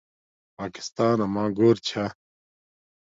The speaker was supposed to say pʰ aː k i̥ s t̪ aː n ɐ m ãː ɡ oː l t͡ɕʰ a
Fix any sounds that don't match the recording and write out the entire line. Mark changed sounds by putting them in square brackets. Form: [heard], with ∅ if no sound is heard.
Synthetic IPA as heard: [p] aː k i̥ s t̪ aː n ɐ m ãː ɡ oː [ɾ] t͡ɕʰ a